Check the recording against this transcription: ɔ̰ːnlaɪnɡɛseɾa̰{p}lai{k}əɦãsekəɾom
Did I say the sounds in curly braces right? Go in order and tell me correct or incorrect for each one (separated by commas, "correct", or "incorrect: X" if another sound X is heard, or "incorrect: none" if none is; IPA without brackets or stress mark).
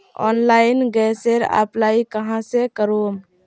correct, correct